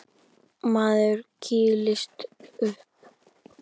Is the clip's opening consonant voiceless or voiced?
voiced